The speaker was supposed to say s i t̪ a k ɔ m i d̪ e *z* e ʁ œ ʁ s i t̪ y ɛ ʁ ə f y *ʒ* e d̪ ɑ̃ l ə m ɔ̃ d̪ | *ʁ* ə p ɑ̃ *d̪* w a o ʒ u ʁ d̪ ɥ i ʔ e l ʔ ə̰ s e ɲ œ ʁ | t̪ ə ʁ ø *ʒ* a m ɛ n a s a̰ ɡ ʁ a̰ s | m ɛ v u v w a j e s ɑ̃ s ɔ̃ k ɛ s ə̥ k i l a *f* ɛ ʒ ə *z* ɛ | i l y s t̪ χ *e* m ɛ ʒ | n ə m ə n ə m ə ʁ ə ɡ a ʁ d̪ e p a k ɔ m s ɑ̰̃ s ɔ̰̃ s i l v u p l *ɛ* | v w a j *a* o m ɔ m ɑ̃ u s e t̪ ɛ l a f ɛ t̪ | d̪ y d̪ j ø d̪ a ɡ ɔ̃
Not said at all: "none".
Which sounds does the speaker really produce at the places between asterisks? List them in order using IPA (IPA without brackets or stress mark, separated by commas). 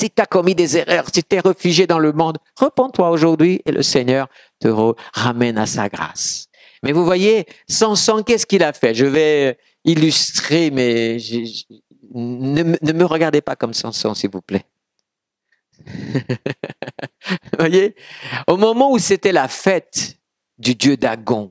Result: z, ʒ, ʁ, t̪, ʁ, f, v, e, ɛ, e